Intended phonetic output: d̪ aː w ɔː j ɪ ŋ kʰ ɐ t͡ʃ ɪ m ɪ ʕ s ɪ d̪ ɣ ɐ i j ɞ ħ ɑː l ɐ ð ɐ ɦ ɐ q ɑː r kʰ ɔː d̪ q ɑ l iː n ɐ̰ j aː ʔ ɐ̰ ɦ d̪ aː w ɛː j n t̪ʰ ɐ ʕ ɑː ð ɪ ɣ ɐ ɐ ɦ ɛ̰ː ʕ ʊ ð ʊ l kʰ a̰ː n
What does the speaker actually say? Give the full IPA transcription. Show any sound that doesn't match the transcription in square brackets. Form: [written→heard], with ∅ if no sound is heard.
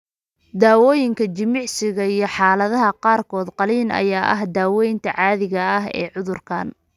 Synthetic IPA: d̪ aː w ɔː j ɪ ŋ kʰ ɐ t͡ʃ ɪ m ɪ ʕ s ɪ [d̪→∅] ɣ ɐ i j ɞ ħ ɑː l ɐ ð ɐ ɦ ɐ q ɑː r kʰ ɔː d̪ q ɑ l iː n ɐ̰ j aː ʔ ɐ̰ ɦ d̪ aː w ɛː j n t̪ʰ ɐ ʕ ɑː ð ɪ ɣ ɐ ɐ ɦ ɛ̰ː ʕ ʊ ð ʊ [l→r] kʰ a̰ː n